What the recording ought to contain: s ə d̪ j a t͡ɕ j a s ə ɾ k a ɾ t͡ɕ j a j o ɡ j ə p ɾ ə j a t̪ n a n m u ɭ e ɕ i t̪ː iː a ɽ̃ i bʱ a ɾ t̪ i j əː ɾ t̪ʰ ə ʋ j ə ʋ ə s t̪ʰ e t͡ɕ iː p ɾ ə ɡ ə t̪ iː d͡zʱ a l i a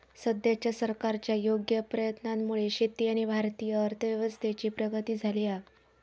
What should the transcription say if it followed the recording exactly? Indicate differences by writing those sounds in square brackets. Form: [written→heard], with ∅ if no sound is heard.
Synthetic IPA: s ə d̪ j a t͡ɕ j a s ə ɾ k a ɾ t͡ɕ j a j o ɡ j ə p ɾ ə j [a→ə] t̪ n a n m u ɭ e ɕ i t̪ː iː a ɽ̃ i bʱ a ɾ t̪ i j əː ɾ t̪ʰ ə ʋ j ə ʋ ə s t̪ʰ e t͡ɕ iː p ɾ ə ɡ ə t̪ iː d͡zʱ a l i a